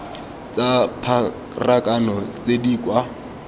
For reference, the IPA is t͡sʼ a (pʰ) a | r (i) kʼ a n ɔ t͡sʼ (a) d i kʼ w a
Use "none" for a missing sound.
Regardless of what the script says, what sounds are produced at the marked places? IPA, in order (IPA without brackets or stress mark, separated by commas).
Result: pʰ, a, e